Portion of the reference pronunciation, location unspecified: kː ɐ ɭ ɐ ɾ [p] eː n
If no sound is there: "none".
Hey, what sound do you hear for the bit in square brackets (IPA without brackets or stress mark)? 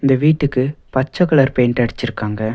p